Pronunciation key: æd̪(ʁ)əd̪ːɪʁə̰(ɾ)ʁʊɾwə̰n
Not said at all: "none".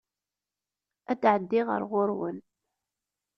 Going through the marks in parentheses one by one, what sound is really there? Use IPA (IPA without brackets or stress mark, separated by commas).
ʕ, ɾ